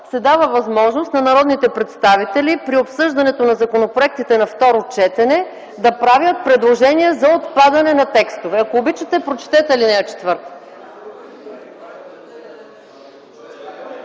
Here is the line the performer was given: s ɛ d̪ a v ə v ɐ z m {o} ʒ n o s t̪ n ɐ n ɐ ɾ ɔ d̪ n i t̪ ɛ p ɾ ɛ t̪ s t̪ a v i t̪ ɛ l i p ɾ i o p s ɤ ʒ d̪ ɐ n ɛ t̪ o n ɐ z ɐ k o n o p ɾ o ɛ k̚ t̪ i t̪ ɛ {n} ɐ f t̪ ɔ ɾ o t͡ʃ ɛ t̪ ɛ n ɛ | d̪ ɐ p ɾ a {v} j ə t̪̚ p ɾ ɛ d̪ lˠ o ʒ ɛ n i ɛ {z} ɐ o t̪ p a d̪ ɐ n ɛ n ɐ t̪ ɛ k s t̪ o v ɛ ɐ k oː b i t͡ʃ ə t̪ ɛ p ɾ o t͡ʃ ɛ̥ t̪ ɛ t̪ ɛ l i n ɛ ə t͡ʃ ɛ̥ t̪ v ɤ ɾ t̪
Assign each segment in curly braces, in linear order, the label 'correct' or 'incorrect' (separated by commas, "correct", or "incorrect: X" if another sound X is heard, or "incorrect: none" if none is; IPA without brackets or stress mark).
incorrect: ɔ, correct, correct, correct